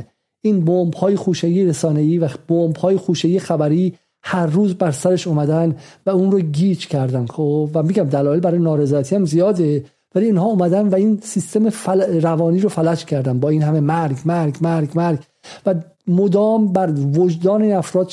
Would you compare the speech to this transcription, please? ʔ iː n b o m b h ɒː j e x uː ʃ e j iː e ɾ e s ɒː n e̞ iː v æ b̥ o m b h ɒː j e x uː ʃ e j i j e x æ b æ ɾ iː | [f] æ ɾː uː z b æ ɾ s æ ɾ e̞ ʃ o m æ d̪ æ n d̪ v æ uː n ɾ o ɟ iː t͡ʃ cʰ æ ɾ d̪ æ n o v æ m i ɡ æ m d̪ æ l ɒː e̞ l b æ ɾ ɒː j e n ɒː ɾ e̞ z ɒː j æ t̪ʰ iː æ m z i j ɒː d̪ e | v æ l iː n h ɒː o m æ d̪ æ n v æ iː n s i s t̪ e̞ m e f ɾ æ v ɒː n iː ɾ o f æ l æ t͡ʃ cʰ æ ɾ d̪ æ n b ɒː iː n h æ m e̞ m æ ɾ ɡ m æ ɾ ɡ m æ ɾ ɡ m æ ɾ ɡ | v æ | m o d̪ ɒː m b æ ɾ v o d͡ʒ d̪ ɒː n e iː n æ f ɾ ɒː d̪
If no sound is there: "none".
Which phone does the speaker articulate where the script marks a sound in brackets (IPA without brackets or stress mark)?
h